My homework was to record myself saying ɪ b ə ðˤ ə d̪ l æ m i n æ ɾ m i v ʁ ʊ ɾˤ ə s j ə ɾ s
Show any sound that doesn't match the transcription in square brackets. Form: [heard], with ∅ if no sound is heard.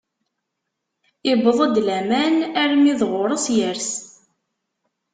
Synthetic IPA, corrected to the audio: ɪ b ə ðˤ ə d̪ l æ m [æ] n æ ɾ m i [ð] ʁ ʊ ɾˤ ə s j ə ɾ s